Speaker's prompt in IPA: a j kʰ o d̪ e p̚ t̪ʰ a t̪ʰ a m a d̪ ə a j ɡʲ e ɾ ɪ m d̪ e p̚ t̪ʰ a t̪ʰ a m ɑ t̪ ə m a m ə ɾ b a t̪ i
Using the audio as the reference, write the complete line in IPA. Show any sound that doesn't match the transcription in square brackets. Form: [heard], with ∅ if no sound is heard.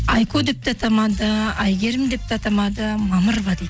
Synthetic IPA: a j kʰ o d̪ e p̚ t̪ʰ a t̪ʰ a m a d̪ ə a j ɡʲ e ɾ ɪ m d̪ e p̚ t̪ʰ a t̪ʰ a m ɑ [d̪] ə m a m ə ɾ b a [d̪] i